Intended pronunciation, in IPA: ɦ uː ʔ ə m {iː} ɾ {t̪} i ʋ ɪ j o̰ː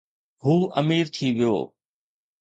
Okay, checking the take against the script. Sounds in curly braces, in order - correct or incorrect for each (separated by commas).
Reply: correct, incorrect